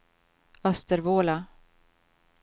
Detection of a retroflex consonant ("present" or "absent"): absent